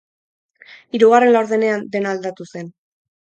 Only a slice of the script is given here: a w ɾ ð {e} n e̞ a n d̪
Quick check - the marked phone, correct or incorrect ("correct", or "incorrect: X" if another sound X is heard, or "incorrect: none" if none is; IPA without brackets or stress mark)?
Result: correct